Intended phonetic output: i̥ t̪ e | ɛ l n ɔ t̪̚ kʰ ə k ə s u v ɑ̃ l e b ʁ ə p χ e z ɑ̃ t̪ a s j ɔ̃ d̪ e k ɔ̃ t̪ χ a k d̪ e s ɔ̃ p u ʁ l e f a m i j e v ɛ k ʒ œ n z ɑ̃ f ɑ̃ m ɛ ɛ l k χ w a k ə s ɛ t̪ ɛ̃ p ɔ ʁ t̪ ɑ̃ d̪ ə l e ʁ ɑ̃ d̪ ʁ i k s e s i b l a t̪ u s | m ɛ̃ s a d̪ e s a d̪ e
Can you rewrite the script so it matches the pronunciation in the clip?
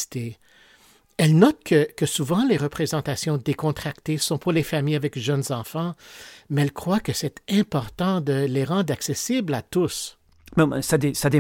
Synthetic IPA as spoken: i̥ t̪ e | ɛ l n ɔ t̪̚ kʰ ə k ə s u v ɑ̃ l e ʁ ə p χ e z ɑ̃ t̪ a s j ɔ̃ d̪ e k ɔ̃ t̪ χ a k t̪ e s ɔ̃ p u ʁ l e f a m i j a v ɛ k ʒ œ n z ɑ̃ f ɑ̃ m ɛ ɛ l k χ w a k ə s ɛ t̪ ɛ̃ p ɔ ʁ t̪ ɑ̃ d̪ ə l e ʁ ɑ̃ d̪ ʁ a k s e s i b l a t̪ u s | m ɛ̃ s a d̪ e s a d̪ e